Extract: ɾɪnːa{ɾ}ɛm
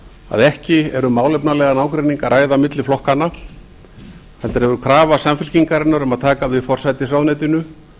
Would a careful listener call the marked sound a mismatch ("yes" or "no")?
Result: no